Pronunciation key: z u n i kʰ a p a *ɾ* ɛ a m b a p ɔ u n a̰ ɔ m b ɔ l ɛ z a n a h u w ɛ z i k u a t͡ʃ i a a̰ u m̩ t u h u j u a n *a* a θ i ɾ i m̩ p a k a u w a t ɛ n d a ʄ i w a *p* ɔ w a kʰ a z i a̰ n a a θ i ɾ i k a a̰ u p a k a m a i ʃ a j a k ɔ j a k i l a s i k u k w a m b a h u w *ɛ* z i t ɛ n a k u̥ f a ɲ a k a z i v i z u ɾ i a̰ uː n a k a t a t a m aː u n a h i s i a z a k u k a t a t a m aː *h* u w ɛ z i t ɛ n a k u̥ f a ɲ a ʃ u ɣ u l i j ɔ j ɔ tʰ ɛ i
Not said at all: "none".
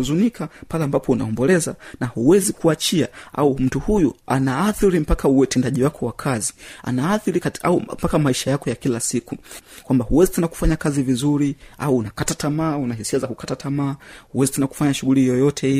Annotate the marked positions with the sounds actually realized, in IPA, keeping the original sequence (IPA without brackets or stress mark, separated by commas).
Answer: l, a, k, ɛ, h